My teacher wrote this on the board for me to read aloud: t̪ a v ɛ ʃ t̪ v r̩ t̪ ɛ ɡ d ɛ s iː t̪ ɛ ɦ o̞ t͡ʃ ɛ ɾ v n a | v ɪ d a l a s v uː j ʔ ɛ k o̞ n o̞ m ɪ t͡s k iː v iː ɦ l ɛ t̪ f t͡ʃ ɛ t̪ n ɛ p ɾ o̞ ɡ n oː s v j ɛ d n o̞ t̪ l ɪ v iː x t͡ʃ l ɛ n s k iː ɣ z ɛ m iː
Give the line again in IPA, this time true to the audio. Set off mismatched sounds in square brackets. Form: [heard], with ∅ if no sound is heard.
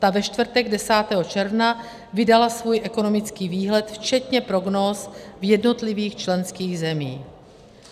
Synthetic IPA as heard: t̪ a v ɛ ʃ t̪ v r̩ t̪ ɛ ɡ d ɛ s [aː] t̪ ɛ ɦ o̞ t͡ʃ ɛ ɾ v n a | v ɪ d a l a s v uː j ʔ ɛ k o̞ n o̞ m ɪ t͡s k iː v iː ɦ l ɛ t̪ f t͡ʃ ɛ t̪ [ɲ] ɛ p ɾ o̞ ɡ n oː s v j ɛ d n o̞ t̪ l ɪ v iː x t͡ʃ l ɛ n s k iː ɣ z ɛ m iː